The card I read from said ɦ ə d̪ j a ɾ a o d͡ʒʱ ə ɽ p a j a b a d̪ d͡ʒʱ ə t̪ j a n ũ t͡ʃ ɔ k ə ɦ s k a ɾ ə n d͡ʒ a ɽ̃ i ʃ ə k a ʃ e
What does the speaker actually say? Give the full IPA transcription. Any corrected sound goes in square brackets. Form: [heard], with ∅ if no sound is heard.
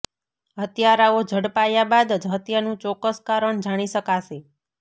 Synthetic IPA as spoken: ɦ ə [t̪] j a ɾ a o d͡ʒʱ ə ɽ p a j a b a d̪ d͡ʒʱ ə t̪ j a n ũ t͡ʃ ɔ k ə [∅] s k a ɾ ə [ɳ] d͡ʒ a ɽ̃ i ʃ ə k a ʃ e

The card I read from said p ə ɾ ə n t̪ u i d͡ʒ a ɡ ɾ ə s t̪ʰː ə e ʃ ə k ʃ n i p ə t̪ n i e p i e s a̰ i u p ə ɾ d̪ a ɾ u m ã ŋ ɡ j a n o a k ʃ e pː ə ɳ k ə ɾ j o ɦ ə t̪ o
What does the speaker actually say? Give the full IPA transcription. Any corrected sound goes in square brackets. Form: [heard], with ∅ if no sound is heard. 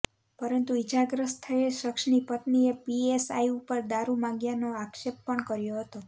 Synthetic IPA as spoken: p ə ɾ ə n t̪ u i d͡ʒ a ɡ ɾ ə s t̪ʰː ə e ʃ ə k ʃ n i p ə t̪ n i e p i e s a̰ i u p ə ɾ d̪ a ɾ u m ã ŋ ɡ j a n o a k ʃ e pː ə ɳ k ə ɾ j o ɦ ə t̪ o

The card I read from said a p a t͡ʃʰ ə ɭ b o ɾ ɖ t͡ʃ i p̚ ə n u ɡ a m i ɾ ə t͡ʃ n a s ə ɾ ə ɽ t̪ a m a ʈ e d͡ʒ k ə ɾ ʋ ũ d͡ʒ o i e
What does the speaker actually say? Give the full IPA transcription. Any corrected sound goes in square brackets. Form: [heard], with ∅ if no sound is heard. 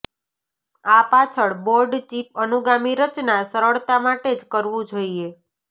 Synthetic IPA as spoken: a p a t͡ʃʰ ə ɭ b o ɾ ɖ t͡ʃ i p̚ ə n u ɡ a m i ɾ ə t͡ʃ n a s ə ɾ ə [ɭ] t̪ a m a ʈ e d͡ʒ k ə ɾ ʋ ũ d͡ʒ o i e

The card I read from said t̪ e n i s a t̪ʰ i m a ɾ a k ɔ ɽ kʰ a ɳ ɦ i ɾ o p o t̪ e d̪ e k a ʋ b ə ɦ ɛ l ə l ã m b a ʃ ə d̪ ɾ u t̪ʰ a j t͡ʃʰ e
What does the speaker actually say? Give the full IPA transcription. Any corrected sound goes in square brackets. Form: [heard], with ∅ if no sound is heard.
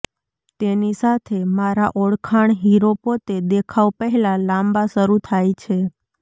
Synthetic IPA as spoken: t̪ e n i s a t̪ʰ [e] m a ɾ a [ʔ] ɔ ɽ kʰ a ɳ ɦ i ɾ o p o t̪ e d̪ e [kʰ] a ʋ [p] ə ɦ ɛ l [a] l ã m b a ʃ ə [∅] ɾ u t̪ʰ a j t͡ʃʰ e

